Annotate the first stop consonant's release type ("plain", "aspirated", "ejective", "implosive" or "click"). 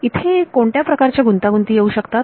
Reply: aspirated